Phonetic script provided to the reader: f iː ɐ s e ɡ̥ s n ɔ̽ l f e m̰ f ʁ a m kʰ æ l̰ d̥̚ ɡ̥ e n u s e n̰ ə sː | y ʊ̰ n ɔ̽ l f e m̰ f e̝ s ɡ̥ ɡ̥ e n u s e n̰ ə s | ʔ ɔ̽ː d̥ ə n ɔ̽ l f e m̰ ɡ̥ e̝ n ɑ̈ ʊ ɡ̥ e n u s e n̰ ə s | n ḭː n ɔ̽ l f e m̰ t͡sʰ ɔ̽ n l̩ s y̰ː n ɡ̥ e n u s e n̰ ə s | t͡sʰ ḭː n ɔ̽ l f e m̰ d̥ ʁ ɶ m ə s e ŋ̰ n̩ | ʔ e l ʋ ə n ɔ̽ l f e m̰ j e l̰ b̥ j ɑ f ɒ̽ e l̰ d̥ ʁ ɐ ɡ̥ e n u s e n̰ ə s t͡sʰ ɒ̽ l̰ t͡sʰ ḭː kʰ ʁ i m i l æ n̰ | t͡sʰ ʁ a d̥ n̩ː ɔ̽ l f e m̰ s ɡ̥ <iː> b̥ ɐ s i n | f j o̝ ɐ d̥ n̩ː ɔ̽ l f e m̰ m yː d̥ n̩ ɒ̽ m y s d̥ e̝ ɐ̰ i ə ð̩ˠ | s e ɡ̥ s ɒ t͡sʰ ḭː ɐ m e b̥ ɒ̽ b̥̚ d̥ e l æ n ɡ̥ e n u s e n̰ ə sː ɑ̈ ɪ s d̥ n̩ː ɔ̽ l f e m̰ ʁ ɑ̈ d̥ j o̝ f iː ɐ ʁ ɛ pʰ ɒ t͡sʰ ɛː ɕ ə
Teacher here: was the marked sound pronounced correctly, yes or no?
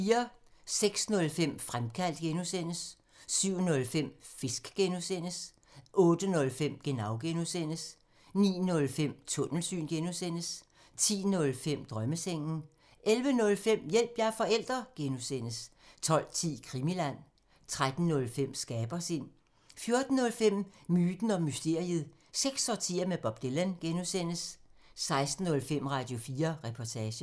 no